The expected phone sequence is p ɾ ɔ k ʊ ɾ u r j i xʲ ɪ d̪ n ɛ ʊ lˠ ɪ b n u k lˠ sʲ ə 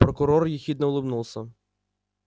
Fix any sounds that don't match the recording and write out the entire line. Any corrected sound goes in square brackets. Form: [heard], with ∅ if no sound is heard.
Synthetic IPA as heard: p ɾ ɔ k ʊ ɾ [ɔ] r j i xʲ [i] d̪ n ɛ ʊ lˠ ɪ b n u [∅] lˠ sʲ [ɐ]